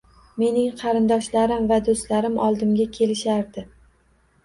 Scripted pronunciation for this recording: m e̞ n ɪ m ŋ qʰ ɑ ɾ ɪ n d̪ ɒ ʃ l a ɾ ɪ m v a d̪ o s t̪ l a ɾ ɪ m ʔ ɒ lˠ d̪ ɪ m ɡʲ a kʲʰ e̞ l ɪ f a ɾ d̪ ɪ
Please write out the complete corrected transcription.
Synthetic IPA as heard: m e̞ n ɪ ŋ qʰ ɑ ɾ ɪ n d̪ ɒ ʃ l a ɾ ɪ m v a d̪ o s t̪ l a ɾ ɪ m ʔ ɒ lˠ d̪ ɪ m ɡʲ a kʲʰ e̞ l ɪ ʃ a ɾ d̪ ɪ

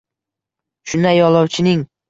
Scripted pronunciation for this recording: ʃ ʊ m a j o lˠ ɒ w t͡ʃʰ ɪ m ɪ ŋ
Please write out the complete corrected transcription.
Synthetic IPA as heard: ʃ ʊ n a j ɒ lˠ ɒ w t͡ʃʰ ɪ n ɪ ŋ

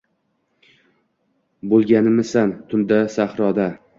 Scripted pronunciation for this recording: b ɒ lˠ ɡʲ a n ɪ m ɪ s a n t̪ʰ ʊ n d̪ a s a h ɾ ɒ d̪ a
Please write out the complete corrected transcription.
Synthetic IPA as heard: b o lˠ ɡʲ a n ɪ m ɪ s a n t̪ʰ ʊ n d̪ a s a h ɾ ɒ d̪ a

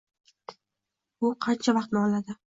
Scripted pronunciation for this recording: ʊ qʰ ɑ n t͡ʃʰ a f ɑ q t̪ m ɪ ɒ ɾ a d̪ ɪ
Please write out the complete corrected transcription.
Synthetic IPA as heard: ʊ qʰ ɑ n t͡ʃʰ a v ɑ q t̪ n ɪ ɒ l a d̪ ɪ

